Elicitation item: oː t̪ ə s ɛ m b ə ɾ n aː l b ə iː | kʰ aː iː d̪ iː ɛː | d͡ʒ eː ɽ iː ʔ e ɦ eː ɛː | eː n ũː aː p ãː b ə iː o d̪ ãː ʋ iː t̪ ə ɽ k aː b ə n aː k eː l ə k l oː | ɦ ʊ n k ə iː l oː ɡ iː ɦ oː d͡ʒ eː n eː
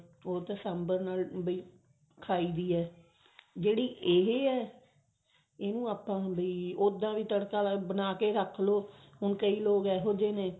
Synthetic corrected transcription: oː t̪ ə s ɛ m b ə ɾ n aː l b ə iː | kʰ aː iː d̪ iː ɛː | d͡ʒ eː ɽ iː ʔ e ɦ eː ɛː | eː n ũː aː p ãː b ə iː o d̪ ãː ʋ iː t̪ ə ɽ k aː b ə n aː k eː ɾ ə kʰ l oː | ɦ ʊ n k ə iː l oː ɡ ɛː ɦ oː d͡ʒ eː n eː